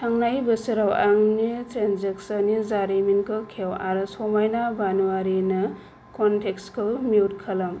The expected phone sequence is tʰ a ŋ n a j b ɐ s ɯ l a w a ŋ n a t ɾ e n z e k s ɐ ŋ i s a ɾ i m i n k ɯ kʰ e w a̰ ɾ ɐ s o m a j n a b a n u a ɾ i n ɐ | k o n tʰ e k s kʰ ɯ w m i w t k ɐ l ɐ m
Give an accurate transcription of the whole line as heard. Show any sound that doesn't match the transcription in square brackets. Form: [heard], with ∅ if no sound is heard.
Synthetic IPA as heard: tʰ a ŋ n a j b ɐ s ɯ [ɾ] a w a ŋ n [i] t ɾ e n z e k s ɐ [n] i [z] a ɾ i m i n k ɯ kʰ e w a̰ ɾ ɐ s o m a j n a b a n u a ɾ i n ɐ | k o n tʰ e k s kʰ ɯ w m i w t [kʰ] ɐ l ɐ m